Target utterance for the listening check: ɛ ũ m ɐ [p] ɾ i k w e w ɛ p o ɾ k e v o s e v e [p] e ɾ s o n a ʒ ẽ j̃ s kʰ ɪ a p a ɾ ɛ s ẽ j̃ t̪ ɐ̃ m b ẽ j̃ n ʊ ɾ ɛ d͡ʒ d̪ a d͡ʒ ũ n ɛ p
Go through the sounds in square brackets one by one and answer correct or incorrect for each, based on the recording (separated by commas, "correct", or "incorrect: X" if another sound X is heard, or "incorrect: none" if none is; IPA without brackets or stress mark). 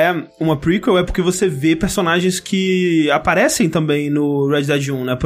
correct, correct